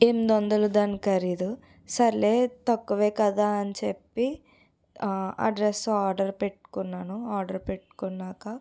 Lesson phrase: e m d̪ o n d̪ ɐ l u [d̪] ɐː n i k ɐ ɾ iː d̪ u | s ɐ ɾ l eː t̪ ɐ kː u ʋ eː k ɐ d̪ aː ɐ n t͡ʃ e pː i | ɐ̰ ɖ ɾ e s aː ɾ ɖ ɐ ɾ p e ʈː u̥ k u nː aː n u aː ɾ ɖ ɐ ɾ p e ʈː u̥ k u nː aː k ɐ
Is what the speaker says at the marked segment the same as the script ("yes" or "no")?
yes